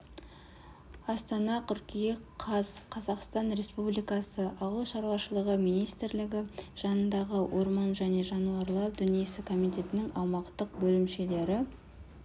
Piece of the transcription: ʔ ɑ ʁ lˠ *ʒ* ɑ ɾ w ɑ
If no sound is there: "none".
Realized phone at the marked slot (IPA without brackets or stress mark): ʃ